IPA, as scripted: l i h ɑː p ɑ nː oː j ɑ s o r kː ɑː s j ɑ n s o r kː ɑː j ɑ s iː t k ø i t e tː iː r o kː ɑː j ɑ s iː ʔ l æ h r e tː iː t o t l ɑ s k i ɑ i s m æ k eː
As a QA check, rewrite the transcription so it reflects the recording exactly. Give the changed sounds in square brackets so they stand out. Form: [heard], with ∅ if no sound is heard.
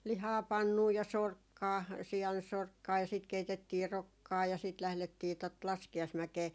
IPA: l i h ɑː p ɑ nː [uː] j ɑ s o r kː ɑː s [i] ɑ n s o r kː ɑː j ɑ s iː t k [e] i t e tː iː r o kː ɑː j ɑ s iː [t] l æ h [l] e tː iː t o t l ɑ s k i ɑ i s m æ k eː